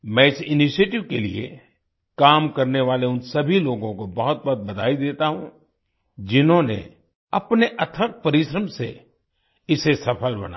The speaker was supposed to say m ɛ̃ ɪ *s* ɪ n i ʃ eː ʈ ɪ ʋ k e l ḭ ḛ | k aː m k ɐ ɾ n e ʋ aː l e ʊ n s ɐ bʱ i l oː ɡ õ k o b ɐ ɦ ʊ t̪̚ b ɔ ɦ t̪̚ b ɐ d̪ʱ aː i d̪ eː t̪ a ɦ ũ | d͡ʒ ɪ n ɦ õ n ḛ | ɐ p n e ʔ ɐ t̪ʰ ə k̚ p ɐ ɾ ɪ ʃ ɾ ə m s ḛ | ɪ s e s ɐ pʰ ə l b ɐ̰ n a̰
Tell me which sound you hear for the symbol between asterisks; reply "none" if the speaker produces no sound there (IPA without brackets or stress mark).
s